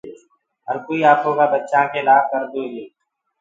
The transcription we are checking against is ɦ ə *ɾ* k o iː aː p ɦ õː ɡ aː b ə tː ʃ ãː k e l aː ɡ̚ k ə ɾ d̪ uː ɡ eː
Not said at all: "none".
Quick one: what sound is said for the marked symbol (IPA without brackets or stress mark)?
ɾ